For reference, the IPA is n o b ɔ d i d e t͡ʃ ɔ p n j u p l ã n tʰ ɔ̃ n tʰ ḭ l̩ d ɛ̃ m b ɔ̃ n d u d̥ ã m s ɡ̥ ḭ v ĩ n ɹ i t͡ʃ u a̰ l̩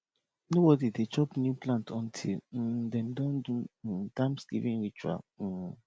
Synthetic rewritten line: n o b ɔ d i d e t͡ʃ ɔ p n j u p l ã n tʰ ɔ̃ n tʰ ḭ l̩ d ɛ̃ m d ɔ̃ n d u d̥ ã m s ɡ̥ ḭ v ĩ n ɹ i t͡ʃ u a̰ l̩